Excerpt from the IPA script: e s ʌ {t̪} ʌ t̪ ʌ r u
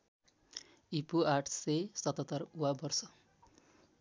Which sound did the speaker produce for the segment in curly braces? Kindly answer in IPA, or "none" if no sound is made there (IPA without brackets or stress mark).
t̪